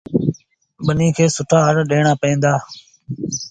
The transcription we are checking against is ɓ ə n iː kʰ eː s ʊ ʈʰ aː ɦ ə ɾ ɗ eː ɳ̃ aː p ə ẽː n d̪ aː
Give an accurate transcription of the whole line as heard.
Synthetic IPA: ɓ ə n iː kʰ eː s ʊ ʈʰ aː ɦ ə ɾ ɗ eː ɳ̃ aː p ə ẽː n d̪ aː